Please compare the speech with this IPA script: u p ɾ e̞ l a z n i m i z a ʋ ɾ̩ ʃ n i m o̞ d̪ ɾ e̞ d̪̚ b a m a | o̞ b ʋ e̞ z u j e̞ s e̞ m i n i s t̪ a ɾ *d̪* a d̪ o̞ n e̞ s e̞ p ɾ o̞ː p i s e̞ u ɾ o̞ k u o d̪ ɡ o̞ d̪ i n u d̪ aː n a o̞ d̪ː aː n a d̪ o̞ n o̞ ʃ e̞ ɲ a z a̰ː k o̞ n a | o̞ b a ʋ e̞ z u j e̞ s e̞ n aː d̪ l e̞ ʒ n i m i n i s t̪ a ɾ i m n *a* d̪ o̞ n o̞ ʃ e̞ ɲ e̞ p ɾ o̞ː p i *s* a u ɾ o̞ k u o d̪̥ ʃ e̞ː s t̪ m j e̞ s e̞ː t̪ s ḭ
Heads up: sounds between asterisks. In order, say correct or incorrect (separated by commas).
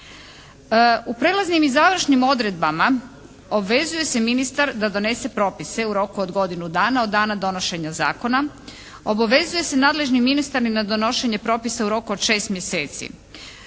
correct, correct, correct